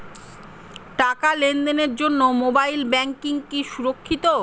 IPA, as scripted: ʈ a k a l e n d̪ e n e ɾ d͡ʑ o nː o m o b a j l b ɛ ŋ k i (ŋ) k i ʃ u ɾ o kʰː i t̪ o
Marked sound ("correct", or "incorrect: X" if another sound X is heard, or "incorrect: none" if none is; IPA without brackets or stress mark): correct